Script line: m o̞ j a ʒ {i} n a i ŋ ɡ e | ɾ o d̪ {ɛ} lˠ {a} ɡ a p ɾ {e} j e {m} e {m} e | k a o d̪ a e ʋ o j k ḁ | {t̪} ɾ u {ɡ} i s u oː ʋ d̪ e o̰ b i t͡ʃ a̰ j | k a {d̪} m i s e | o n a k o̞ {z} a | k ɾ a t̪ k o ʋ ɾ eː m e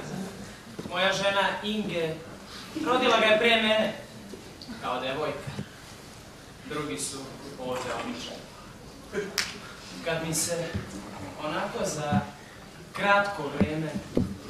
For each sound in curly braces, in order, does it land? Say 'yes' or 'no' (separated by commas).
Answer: no, no, yes, no, yes, no, no, yes, yes, yes